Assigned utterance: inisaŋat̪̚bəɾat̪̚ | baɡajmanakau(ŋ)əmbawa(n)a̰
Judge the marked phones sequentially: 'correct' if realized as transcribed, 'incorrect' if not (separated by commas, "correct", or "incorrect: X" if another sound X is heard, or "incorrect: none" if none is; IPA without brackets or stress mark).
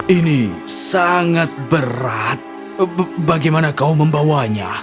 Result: incorrect: m, incorrect: ɲ